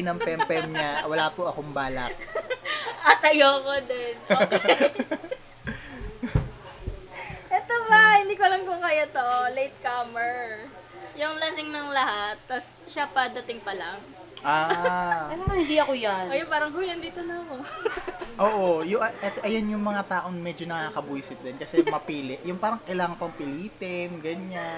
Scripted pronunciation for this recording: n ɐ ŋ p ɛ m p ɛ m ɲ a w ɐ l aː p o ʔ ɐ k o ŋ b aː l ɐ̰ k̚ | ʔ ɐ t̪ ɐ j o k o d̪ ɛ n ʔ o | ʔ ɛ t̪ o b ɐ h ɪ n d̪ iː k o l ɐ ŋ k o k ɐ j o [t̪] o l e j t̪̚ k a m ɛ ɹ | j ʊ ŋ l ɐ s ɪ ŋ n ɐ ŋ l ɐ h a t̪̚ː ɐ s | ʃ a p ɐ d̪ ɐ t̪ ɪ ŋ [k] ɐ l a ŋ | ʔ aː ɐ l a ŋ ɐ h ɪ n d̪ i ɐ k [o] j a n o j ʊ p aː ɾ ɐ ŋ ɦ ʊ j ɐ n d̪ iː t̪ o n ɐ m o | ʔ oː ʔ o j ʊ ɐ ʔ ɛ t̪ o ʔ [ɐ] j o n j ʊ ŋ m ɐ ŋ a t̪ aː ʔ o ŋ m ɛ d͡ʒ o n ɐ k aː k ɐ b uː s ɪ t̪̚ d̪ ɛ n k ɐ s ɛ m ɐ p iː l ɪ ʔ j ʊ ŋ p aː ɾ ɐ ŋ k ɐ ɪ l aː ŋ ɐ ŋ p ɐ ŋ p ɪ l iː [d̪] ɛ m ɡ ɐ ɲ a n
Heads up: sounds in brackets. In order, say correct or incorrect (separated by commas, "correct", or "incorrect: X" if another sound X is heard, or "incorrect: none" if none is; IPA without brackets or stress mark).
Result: correct, incorrect: p, correct, correct, incorrect: t̪